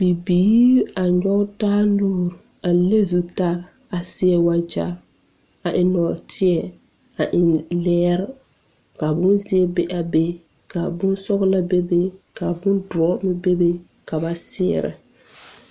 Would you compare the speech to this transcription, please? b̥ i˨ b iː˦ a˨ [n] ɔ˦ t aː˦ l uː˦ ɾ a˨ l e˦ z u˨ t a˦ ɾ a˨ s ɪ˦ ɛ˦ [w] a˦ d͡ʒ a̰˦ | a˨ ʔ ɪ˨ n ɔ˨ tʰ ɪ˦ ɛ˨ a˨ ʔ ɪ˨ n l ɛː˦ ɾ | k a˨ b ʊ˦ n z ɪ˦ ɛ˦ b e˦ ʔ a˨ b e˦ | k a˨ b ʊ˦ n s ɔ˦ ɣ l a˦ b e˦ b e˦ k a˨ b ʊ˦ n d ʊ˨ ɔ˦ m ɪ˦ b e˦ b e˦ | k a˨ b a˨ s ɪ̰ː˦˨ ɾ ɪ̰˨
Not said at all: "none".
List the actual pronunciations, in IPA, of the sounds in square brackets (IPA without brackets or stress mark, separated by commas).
ɲ, w